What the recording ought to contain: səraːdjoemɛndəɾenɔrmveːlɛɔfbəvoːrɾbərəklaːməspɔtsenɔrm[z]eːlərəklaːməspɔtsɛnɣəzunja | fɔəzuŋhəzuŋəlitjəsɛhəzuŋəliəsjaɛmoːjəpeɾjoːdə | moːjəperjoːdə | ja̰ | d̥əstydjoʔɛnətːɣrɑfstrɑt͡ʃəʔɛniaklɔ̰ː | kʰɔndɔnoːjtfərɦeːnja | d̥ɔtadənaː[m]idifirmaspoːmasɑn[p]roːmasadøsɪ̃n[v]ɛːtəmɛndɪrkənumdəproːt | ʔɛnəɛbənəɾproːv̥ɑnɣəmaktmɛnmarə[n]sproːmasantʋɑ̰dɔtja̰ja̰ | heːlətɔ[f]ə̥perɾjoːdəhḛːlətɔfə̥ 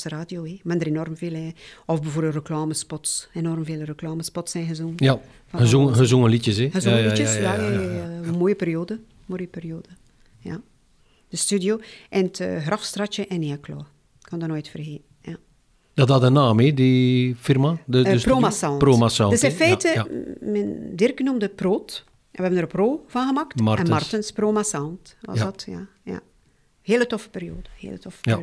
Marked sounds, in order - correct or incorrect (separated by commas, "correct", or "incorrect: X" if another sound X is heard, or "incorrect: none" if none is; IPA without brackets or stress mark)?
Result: incorrect: v, correct, correct, incorrect: f, correct, correct